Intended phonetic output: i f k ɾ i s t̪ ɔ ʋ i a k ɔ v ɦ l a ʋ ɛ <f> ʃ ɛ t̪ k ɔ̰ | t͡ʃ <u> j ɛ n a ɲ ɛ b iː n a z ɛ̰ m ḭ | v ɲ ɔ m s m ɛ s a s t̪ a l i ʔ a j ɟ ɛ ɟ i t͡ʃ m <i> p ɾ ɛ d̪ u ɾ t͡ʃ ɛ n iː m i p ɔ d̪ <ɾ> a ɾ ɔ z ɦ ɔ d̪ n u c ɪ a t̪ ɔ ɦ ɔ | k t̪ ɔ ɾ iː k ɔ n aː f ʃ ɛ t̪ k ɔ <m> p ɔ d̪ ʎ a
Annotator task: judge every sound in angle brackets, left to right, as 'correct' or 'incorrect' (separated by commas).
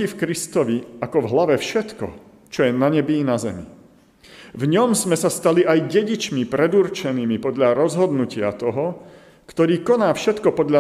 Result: correct, incorrect, correct, incorrect, incorrect